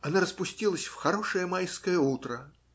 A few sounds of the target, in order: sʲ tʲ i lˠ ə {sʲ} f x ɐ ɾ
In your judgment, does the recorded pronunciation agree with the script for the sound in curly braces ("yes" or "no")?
yes